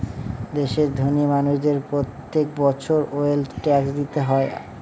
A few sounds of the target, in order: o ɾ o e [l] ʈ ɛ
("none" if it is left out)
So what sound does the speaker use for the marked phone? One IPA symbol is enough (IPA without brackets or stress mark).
l